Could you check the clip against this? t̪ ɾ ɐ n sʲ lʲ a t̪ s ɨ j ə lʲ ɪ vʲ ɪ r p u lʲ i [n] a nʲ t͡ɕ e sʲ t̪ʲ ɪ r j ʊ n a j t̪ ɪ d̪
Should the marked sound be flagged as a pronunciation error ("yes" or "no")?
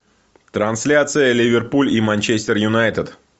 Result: yes